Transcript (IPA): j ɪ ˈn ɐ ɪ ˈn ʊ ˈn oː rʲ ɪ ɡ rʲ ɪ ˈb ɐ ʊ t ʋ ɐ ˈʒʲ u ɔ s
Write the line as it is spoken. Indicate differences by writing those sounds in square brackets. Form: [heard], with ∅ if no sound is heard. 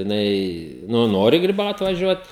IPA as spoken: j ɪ ˈn ɐ ɪ ˈn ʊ ˈn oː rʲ ɪ ɡ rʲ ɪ ˈb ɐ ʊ t ʋ ɐ ˈʒʲ u ɔ [t]